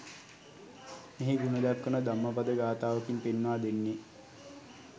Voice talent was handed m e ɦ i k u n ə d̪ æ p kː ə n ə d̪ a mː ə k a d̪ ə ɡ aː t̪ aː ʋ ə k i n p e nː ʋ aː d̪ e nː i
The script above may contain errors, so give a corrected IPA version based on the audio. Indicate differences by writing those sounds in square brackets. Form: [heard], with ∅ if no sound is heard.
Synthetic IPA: m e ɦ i [ɡ] u n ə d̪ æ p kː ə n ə d̪ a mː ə [p] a d̪ ə ɡ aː t̪ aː ʋ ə k i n p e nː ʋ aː d̪ e nː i